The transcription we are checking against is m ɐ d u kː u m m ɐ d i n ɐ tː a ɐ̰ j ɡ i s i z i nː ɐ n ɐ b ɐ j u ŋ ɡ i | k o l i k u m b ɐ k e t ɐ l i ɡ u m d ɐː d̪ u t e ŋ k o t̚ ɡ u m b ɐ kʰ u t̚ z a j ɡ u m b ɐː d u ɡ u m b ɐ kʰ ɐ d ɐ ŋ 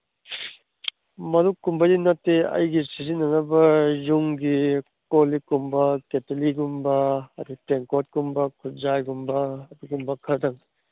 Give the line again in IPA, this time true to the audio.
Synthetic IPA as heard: m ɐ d u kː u m b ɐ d i n ɐ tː e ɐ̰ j ɡ i s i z i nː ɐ n ɐ b ɐ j u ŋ ɡ i | k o l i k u m b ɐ k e t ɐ l i ɡ u m b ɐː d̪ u t e ŋ k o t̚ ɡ u m b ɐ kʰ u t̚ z a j ɡ u m b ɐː d u ɡ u m b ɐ kʰ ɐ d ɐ ŋ